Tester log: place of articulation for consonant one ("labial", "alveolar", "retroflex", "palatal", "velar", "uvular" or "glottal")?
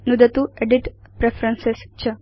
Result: alveolar